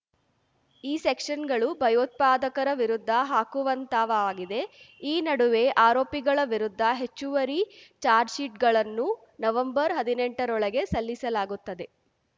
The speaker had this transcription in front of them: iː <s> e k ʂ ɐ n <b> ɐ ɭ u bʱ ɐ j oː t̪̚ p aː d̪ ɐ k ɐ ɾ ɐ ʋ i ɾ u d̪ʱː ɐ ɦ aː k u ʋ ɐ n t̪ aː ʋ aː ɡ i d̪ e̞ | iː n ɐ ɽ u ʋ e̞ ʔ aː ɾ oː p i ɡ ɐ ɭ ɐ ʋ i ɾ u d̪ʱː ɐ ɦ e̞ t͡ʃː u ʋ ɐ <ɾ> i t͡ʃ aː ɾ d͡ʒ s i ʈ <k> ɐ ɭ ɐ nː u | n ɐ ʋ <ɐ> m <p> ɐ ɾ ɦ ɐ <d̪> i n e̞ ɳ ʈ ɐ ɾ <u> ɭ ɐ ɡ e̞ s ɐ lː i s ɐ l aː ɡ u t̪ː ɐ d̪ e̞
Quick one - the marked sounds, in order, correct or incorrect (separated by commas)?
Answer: correct, incorrect, correct, incorrect, correct, incorrect, correct, incorrect